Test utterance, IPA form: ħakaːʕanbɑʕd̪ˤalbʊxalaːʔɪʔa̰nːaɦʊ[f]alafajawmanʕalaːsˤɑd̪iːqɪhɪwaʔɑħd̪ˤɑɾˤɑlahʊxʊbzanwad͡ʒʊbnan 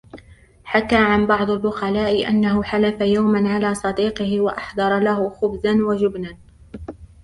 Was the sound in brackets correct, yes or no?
no